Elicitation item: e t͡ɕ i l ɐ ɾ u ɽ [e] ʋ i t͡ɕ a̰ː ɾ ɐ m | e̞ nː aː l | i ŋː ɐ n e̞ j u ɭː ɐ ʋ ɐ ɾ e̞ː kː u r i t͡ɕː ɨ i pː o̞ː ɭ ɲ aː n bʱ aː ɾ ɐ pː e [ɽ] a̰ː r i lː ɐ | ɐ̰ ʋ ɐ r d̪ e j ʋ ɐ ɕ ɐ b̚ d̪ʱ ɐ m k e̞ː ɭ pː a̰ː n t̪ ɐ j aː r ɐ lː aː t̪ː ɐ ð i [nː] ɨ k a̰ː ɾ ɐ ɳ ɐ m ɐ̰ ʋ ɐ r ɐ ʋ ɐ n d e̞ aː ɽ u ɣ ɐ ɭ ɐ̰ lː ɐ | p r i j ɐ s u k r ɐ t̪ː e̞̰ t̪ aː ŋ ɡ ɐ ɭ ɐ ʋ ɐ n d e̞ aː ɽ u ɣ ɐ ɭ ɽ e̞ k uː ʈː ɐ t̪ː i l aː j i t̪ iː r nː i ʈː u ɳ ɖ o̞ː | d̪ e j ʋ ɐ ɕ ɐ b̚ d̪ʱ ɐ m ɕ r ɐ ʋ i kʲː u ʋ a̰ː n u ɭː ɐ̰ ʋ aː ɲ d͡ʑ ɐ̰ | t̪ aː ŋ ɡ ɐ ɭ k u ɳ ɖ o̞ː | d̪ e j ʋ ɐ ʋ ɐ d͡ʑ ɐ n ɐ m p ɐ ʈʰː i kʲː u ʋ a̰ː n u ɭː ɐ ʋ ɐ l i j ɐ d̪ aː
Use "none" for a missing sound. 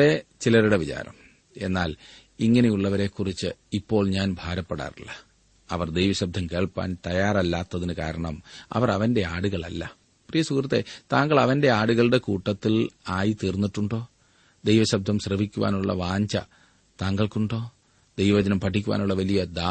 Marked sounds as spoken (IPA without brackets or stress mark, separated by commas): e, ɽ, n